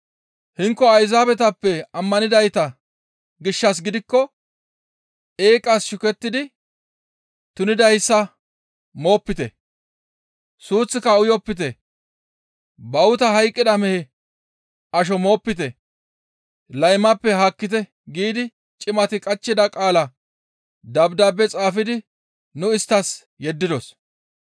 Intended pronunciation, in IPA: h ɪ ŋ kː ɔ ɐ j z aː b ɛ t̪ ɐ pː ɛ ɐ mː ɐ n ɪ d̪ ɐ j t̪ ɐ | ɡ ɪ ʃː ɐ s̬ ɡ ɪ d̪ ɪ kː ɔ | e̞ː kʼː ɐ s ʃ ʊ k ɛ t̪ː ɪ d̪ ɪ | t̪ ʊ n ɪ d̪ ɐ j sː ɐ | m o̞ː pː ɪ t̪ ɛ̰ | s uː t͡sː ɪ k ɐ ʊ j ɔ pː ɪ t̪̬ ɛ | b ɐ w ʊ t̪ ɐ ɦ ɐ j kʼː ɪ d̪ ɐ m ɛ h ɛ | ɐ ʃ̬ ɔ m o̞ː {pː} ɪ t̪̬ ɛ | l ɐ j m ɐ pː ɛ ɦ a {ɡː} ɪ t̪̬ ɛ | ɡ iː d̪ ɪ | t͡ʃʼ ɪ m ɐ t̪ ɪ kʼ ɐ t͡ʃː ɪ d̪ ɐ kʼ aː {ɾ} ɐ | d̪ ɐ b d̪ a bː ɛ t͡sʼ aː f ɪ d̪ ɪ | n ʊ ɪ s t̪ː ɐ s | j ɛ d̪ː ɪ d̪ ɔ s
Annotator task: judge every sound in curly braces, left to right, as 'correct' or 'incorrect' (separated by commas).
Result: correct, incorrect, incorrect